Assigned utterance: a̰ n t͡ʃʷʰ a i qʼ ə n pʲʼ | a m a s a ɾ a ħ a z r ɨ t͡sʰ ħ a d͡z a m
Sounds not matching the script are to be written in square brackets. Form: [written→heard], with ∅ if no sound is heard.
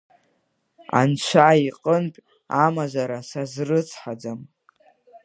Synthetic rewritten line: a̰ n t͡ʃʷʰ a i qʼ ə n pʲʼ | a m a [s→z] a ɾ a [ħ→s] a z r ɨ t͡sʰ ħ a d͡z a m